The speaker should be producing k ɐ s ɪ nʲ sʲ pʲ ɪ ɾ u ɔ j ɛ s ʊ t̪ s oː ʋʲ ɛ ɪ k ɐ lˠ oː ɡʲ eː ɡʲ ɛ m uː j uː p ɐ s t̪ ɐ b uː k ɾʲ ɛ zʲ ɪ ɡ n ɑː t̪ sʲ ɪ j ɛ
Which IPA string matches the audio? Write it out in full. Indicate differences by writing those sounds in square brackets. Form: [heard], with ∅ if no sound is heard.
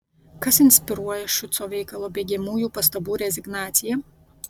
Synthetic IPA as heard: k ɐ s ɪ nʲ sʲ pʲ ɪ ɾ u ɔ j ɛ [ʃ] ʊ t̪ s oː ʋʲ ɛ ɪ k ɐ lˠ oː [bʲ] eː ɡʲ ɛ m uː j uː p ɐ s t̪ ɐ b uː [∅] ɾʲ ɛ zʲ ɪ ɡ n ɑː t̪ sʲ ɪ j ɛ